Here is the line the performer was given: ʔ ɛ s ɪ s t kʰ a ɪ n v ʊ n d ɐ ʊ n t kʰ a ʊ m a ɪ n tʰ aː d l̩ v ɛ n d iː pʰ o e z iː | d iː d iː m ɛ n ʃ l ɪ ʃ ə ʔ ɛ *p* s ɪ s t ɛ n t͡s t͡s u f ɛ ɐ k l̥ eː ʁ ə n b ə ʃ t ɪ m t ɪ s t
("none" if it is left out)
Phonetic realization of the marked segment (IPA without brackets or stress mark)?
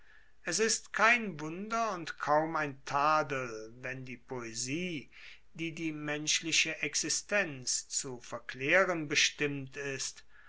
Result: k